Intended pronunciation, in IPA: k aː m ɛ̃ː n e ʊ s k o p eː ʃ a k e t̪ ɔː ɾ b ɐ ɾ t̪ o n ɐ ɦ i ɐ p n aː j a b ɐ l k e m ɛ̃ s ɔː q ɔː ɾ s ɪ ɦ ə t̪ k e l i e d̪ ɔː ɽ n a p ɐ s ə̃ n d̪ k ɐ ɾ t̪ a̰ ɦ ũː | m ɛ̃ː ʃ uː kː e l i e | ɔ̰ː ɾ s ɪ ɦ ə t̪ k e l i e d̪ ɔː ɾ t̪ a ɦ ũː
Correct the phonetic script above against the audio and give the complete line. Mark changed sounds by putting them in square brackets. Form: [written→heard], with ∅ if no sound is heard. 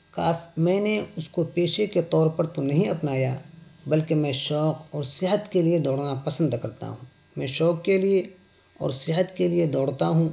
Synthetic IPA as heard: k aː m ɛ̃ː n e ʊ s k o p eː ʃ [a→e] k e t̪ ɔː ɾ [b→p] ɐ ɾ t̪ o n ɐ ɦ [i→ĩ] ɐ p n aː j a b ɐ l k e m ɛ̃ [s→ʃ] ɔː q ɔː ɾ s ɪ ɦ ə t̪ k e l i e d̪ ɔː ɽ n a p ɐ s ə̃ n d̪ k ɐ ɾ t̪ a̰ ɦ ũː | m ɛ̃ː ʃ [uː→ɔː] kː e l i e | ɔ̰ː ɾ s ɪ ɦ ə t̪ k e l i e d̪ ɔː [ɾ→ɽ] t̪ a ɦ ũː